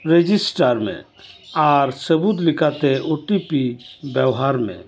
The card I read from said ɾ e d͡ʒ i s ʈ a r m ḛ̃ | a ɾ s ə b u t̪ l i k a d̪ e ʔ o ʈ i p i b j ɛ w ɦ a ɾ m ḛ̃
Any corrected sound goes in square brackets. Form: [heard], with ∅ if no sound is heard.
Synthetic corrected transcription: ɾ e d͡ʒ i s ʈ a [ɾ] m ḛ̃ | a ɾ s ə b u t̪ l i k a [t̪] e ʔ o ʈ i p i b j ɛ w ɦ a ɾ m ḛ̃